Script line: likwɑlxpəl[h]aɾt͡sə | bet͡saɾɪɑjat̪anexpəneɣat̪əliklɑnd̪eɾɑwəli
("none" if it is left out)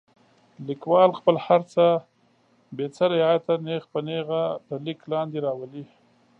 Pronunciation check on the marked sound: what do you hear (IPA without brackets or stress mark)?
h